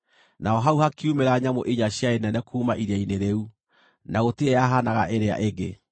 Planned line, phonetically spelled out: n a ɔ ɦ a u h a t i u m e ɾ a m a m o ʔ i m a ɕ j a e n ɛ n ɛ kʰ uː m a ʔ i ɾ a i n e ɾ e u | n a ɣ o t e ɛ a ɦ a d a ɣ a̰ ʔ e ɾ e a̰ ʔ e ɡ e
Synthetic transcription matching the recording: n a ɔ ɦ a u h a k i u m e ɾ a ɲ a m o ʔ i ɲ a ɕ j a e n ɛ n ɛ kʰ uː m a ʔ i ɾ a i n e ɾ e u | n a ɣ o t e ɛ a ɦ a n a ɣ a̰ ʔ e ɾ e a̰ ʔ e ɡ e